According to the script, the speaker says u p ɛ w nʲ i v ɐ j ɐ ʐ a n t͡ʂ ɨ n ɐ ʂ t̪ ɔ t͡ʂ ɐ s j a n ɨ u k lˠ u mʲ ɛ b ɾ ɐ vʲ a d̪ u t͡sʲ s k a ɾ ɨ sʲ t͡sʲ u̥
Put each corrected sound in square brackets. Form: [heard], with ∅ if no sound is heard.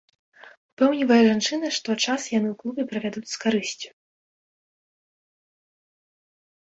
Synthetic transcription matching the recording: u p ɛ w nʲ i v ɐ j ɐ ʐ a n t͡ʂ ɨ n ɐ ʂ t̪ ɔ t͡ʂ [a] s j a n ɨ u k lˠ u [bʲ] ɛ [p] ɾ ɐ vʲ a d̪ u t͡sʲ s k a ɾ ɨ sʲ t͡sʲ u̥